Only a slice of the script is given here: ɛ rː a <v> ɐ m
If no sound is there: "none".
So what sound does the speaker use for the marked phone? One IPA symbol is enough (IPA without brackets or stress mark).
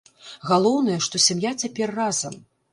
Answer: z